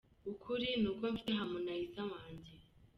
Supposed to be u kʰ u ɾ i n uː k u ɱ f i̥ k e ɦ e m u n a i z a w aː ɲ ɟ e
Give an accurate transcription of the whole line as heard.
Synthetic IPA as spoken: u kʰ u ɾ i n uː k o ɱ f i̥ t e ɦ a m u n a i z a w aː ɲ ɟ e